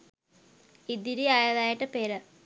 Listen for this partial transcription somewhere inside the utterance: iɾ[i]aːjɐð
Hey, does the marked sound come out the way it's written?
yes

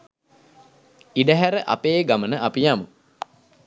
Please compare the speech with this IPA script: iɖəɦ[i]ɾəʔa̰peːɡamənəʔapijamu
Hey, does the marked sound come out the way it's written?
no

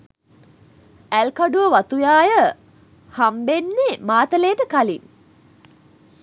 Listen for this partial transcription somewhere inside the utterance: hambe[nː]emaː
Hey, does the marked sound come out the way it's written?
yes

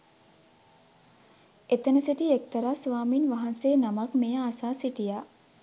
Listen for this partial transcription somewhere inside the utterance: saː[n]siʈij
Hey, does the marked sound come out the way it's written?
no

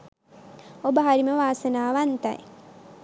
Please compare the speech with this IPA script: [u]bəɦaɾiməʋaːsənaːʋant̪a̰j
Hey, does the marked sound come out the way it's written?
no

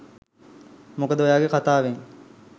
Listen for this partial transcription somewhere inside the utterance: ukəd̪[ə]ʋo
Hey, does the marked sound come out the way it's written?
yes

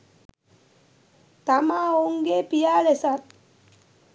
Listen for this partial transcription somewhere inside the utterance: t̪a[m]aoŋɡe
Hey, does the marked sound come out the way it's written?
yes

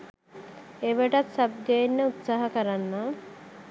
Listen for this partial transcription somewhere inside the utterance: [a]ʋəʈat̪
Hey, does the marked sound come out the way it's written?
no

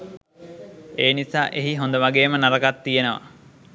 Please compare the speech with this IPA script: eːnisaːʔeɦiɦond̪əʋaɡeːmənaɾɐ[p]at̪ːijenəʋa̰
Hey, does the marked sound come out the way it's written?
no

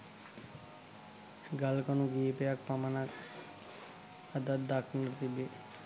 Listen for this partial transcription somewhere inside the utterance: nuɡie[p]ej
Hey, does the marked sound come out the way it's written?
yes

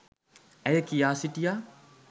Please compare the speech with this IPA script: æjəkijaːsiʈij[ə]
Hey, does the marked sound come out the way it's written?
no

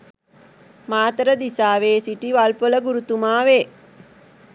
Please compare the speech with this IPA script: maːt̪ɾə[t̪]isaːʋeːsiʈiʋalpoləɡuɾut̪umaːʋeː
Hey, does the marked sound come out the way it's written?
no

